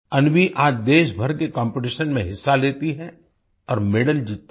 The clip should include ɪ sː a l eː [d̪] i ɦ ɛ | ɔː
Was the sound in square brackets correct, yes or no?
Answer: no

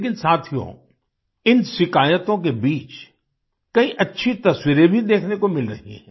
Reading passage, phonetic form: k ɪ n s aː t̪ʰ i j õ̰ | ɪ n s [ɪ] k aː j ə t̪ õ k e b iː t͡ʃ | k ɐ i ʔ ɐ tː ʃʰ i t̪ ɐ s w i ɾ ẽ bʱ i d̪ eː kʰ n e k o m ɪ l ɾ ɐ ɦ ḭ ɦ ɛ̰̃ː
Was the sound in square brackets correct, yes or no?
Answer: yes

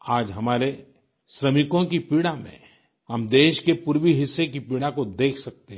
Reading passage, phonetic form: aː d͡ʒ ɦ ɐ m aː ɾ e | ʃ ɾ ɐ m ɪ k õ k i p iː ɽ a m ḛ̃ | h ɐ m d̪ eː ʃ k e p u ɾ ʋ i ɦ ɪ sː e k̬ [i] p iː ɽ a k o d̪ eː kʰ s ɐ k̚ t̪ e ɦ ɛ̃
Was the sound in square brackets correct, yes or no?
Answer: yes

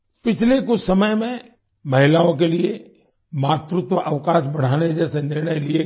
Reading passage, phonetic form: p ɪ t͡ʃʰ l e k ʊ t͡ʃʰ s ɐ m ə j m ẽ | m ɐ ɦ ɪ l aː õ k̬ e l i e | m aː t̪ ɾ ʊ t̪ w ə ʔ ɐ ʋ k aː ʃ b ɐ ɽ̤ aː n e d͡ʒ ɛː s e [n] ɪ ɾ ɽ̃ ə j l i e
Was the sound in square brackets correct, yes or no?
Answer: yes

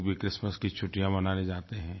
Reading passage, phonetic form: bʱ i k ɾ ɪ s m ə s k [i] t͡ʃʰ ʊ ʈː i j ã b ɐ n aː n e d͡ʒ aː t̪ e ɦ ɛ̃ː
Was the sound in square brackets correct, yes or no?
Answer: yes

